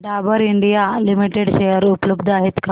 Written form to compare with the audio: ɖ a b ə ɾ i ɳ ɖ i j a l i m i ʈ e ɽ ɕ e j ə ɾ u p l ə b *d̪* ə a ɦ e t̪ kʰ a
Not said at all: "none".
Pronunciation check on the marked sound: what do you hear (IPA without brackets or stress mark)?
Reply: d̪